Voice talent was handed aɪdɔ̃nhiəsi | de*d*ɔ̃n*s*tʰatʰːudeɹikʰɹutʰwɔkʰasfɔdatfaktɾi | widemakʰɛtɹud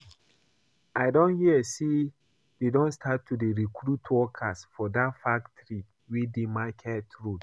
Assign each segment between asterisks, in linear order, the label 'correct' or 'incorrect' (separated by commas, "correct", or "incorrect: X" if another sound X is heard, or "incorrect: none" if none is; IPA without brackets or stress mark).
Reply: correct, correct